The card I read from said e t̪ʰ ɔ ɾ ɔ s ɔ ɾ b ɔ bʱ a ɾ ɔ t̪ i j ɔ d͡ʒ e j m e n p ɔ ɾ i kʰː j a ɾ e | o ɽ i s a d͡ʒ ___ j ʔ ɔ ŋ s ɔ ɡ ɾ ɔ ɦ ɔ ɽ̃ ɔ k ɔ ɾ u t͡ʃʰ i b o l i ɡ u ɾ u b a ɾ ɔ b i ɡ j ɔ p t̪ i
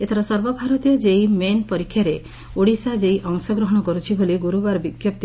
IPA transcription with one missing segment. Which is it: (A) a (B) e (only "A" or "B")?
B